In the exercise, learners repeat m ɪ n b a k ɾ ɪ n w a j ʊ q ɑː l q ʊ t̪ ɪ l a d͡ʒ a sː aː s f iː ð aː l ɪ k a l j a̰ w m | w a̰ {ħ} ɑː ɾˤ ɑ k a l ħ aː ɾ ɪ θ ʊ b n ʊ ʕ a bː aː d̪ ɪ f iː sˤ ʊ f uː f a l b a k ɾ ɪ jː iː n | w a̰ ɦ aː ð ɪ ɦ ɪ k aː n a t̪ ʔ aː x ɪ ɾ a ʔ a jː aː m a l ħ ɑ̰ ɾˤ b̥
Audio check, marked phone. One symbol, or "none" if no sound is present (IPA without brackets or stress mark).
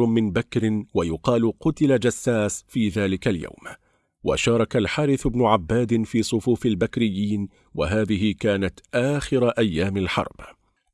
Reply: ʃ